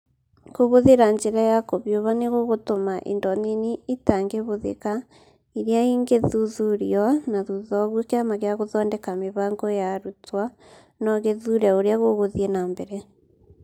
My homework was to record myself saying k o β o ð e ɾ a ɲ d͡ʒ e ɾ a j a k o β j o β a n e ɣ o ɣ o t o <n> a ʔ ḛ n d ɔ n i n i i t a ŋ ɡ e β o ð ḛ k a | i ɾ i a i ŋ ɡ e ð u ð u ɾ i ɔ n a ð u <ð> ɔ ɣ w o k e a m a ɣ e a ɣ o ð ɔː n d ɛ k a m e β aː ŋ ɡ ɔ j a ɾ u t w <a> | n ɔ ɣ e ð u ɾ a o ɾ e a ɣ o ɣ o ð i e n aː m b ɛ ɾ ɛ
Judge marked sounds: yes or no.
no, yes, yes

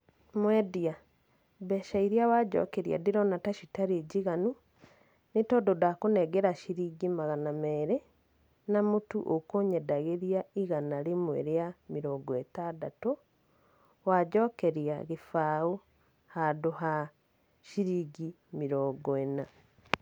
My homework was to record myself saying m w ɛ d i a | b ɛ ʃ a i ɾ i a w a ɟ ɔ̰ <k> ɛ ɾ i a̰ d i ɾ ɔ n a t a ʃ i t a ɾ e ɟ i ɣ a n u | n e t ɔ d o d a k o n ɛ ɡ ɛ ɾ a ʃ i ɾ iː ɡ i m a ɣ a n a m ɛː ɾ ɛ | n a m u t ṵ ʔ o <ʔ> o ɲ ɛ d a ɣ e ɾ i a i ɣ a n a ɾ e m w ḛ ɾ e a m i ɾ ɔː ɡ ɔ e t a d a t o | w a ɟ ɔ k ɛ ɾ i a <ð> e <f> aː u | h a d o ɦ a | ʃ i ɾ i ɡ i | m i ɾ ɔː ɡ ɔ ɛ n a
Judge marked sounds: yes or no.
yes, no, no, yes

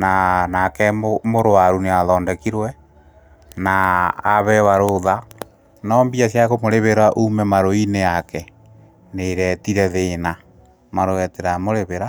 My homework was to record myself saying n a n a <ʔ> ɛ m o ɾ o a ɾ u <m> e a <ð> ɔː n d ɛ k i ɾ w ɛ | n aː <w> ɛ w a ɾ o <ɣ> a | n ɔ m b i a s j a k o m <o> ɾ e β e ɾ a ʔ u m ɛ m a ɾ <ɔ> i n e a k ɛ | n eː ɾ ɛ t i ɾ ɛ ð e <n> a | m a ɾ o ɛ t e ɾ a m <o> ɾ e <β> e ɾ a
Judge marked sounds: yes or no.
no, no, yes, no, no, yes, no, yes, yes, yes

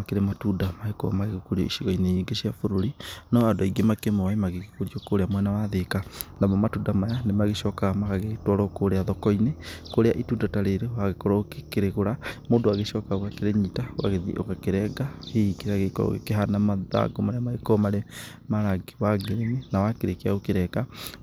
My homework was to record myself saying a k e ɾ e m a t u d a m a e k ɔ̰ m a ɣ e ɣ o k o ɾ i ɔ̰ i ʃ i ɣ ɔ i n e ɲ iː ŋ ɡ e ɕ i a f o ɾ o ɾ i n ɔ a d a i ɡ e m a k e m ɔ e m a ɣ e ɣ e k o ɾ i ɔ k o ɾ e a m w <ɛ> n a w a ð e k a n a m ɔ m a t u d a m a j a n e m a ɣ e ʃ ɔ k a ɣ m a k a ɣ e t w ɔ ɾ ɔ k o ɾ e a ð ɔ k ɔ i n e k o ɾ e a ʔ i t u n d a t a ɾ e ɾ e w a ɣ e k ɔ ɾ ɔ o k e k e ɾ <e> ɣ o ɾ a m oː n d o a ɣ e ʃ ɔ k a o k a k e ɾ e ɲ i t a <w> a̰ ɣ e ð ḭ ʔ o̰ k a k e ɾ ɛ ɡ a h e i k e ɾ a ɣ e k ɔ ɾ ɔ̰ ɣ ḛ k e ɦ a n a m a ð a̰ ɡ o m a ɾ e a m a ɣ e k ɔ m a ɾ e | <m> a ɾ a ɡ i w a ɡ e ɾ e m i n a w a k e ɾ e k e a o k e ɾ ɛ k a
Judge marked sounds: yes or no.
yes, yes, yes, yes

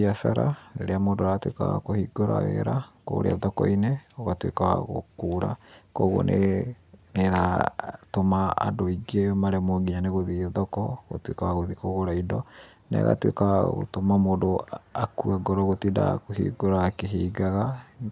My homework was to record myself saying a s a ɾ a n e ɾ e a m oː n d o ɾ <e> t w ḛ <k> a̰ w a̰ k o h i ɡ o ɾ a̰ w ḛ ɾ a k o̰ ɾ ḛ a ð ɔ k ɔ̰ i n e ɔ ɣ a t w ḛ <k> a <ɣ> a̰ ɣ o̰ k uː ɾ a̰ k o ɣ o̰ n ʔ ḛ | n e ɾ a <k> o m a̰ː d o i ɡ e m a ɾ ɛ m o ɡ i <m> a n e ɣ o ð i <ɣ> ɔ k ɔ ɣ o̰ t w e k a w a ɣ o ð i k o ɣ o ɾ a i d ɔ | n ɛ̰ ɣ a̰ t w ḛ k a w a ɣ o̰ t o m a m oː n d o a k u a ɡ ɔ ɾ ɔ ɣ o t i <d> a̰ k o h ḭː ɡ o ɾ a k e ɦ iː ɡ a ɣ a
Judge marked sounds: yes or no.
no, yes, yes, no, no, no, no, yes

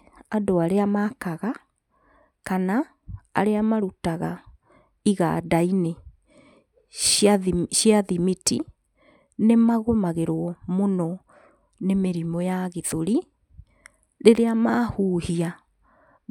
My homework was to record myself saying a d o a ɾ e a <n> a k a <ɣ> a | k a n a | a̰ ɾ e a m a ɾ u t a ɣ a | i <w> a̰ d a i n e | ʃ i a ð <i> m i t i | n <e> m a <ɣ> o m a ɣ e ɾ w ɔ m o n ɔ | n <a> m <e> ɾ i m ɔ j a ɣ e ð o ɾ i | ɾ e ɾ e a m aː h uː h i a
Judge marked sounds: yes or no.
no, yes, no, yes, yes, yes, no, yes

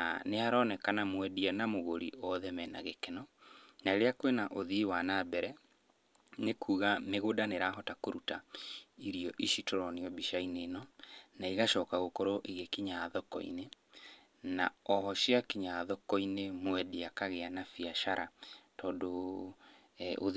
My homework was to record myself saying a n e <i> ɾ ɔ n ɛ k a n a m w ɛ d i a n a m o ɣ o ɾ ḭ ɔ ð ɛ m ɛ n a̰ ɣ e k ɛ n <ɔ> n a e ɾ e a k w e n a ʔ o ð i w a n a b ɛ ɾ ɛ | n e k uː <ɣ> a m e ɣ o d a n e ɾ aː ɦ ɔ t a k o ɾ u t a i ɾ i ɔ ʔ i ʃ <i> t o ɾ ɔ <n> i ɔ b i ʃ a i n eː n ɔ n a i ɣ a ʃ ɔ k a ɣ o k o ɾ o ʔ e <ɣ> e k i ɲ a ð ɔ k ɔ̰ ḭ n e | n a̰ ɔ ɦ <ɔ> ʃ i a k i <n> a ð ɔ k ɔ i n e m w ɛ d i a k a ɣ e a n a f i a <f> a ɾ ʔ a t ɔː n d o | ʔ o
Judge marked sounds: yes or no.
no, yes, yes, yes, yes, yes, yes, no, no

